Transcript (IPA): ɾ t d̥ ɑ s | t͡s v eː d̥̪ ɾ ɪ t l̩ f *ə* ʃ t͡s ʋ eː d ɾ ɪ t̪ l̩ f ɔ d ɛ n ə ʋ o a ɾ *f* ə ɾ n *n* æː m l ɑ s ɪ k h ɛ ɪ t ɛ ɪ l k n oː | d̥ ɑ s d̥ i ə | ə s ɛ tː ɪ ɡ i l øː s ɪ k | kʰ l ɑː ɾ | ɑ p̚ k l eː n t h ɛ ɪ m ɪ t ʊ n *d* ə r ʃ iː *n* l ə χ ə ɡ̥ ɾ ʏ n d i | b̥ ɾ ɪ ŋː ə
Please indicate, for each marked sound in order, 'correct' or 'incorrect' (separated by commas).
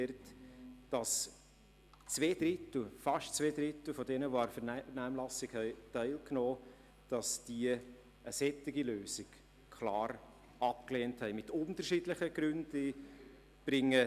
incorrect, correct, correct, incorrect, incorrect